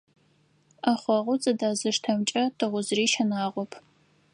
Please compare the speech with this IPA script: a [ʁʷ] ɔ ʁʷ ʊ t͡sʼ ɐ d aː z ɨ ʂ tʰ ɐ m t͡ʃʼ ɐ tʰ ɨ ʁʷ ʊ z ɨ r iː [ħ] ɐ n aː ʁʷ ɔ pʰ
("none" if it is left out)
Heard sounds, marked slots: χʷ, ʃ

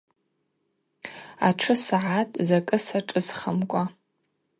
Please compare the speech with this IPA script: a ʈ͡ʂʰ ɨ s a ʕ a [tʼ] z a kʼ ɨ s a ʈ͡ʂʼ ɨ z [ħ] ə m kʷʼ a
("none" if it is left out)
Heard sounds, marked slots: tʼ, χ

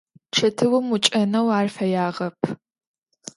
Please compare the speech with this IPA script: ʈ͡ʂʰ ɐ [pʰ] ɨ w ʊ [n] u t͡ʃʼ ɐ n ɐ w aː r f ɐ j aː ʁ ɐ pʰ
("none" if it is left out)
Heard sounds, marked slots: tʰ, m

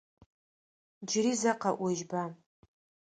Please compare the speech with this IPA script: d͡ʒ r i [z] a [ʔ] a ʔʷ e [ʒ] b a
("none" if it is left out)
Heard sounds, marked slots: z, q, ʒ

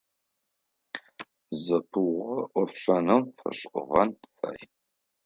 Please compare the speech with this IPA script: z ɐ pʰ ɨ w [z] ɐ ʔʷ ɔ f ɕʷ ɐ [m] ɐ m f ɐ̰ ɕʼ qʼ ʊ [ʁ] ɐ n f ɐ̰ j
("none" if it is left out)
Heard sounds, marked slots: ʁ, n, ʁ

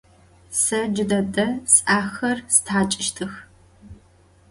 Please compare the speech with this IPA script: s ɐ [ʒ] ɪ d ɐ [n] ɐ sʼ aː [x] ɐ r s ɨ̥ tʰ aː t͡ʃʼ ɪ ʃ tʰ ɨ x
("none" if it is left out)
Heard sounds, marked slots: d͡ʒ, d, x

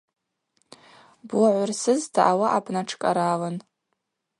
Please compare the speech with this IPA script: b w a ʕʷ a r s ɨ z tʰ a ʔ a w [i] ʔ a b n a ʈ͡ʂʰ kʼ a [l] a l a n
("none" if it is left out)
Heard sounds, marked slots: a, ɾ

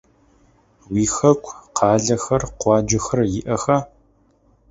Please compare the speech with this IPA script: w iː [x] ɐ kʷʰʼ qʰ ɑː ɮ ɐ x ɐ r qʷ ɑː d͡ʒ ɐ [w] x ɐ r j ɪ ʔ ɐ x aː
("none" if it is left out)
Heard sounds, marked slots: x, none

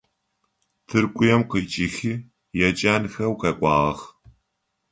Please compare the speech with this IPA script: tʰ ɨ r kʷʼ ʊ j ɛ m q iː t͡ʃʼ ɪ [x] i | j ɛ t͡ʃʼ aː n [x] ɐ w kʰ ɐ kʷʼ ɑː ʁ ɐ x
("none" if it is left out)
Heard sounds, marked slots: x, x

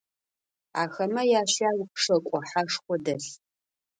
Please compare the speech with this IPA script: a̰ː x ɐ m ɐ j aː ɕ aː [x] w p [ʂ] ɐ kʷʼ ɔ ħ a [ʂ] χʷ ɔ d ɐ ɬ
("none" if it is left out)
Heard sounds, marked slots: none, ʂ, ʂ

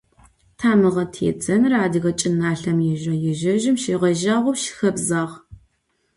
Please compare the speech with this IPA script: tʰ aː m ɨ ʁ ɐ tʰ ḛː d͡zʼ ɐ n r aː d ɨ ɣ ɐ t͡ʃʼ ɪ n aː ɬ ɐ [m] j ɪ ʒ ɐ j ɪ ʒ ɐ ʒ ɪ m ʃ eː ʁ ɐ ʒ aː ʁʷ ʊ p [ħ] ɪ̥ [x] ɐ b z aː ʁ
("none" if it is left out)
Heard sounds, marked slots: m, ʃ, x

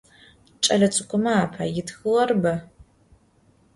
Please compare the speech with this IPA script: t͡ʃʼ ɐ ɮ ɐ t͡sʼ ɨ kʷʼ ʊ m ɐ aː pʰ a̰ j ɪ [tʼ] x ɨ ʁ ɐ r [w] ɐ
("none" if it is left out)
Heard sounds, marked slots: t, b

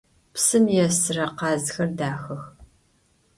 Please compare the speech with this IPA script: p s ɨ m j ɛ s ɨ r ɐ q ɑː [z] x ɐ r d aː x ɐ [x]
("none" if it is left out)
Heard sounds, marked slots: z, x

